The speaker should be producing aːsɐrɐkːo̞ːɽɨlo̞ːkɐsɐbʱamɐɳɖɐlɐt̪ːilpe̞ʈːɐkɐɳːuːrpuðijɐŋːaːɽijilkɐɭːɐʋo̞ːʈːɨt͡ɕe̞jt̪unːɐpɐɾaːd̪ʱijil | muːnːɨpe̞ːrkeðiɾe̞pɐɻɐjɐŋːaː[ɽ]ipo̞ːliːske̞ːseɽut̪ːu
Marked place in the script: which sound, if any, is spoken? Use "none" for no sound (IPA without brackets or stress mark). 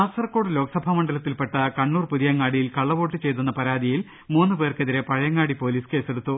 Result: ɽ